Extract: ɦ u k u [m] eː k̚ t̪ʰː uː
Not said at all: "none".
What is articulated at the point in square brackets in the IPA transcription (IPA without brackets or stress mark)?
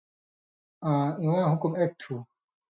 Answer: m